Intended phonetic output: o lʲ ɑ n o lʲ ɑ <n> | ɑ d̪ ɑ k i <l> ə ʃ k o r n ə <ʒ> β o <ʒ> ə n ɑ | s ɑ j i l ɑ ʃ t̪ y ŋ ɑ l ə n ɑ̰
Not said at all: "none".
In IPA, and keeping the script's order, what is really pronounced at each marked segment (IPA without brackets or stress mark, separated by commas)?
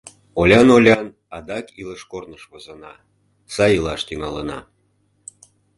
n, l, ʃ, z